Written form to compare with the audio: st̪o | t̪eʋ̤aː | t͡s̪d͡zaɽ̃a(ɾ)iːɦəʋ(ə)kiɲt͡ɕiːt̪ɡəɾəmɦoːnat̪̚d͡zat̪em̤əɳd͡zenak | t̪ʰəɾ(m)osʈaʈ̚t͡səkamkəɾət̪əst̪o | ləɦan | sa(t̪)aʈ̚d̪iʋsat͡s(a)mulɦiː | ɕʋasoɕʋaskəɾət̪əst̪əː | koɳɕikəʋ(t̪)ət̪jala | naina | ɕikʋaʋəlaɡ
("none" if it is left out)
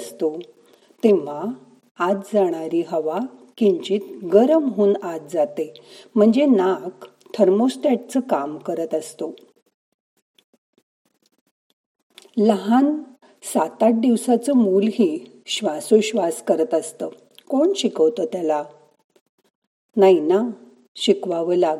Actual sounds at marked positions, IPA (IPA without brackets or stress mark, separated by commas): ɾ, a, m, t̪, ə, t̪